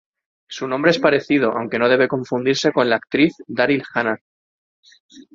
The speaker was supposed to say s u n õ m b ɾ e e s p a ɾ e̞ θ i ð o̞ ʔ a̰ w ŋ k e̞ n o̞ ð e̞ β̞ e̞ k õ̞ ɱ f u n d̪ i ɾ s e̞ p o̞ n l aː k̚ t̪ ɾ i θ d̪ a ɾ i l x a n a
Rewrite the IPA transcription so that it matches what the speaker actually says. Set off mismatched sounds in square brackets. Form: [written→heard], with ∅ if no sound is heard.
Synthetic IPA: s u n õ m b ɾ e e s p a ɾ e̞ θ i ð o̞ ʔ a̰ w ŋ k e̞ n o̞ ð e̞ β̞ e̞ k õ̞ ɱ f u n d̪ i ɾ s e̞ [p→k] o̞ n l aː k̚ t̪ ɾ i θ d̪ a ɾ i l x a n a